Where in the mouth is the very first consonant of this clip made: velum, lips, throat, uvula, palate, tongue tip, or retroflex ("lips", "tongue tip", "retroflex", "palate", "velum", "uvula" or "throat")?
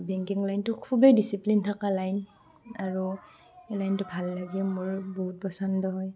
lips